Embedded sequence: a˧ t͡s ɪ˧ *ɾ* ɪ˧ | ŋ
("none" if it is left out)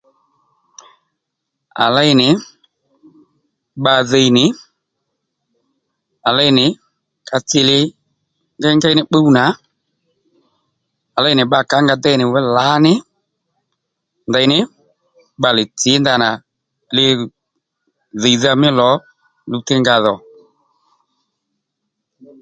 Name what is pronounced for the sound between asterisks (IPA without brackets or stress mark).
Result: l